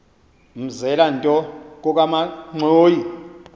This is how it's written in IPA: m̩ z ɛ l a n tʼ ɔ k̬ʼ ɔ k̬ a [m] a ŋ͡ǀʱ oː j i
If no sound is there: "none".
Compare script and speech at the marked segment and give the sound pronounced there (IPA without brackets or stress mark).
m